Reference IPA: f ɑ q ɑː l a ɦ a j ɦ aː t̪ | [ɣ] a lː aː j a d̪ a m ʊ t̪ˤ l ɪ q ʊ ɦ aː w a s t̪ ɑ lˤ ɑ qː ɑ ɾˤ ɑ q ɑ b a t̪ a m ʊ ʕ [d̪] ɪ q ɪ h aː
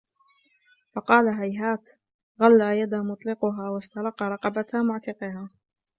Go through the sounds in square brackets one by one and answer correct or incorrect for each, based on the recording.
correct, incorrect

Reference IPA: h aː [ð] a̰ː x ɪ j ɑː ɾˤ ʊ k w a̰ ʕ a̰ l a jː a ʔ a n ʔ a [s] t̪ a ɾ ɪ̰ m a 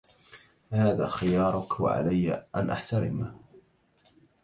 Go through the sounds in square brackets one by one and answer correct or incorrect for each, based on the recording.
correct, incorrect

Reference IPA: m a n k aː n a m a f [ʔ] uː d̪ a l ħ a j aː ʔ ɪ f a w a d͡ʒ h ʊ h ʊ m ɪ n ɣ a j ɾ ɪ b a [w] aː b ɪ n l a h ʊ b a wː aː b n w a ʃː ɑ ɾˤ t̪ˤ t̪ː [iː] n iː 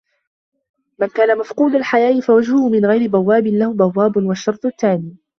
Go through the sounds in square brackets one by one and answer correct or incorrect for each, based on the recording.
incorrect, incorrect, incorrect

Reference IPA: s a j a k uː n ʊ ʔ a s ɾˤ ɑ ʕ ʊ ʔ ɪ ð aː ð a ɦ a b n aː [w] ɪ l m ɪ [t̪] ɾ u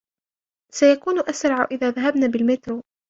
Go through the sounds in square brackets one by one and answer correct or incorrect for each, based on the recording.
incorrect, correct

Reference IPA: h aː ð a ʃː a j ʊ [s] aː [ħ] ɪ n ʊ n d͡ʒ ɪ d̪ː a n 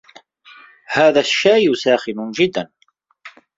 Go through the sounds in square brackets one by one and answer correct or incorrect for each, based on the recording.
correct, incorrect

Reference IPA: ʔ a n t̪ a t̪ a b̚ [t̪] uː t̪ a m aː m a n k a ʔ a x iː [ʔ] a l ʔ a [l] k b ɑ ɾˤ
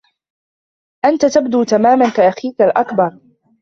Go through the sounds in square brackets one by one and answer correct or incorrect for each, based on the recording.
incorrect, incorrect, incorrect

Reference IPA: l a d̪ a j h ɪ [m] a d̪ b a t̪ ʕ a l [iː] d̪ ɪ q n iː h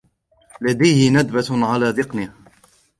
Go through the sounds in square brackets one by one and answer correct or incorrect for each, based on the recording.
incorrect, incorrect

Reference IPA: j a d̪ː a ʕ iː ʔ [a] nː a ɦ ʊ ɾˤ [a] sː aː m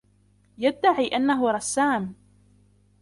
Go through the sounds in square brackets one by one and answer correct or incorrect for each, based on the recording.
correct, incorrect

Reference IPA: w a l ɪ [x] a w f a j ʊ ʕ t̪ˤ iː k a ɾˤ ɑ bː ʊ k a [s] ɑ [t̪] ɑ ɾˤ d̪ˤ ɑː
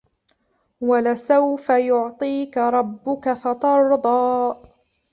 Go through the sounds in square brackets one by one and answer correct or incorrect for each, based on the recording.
incorrect, incorrect, correct

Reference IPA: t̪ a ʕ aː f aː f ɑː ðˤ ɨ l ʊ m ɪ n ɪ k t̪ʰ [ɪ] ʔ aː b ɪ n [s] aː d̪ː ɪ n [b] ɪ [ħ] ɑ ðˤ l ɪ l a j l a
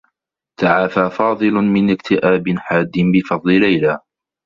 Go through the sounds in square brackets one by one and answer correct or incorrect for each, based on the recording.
correct, incorrect, correct, incorrect

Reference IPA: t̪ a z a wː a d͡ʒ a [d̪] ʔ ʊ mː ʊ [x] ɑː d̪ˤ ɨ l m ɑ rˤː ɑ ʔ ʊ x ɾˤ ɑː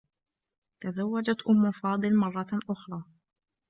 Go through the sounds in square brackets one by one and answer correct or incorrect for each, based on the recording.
incorrect, incorrect

